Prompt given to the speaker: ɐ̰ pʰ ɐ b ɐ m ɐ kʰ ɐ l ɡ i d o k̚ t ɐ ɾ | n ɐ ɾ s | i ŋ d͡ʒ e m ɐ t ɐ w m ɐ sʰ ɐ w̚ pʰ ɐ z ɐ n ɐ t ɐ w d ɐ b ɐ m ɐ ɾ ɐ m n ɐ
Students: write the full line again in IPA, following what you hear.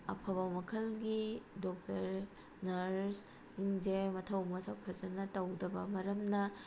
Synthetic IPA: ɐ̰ pʰ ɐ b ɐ m ɐ kʰ ɐ l ɡ i d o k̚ t ɐ ɾ | n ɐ ɾ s | i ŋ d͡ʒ e m ɐ tʰ ɐ w m ɐ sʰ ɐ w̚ pʰ ɐ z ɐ n ɐ t ɐ w d ɐ b ɐ m ɐ ɾ ɐ m n ɐ

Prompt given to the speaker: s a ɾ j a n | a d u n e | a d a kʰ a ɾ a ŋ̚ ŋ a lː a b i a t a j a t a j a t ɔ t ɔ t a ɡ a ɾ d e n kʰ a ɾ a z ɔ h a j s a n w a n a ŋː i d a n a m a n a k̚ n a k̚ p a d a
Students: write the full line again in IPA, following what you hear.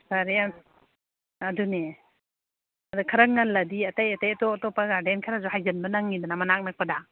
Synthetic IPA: s a ɾ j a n | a d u n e | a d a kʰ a ɾ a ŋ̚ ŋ a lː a d i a t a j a t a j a t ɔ t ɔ p a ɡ a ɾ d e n kʰ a ɾ a z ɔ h a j z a n b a n a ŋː i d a n a m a n a k̚ n a k̚ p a d a

